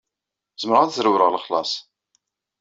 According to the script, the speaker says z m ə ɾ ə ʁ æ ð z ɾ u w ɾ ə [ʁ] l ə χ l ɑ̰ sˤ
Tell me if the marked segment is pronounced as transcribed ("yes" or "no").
yes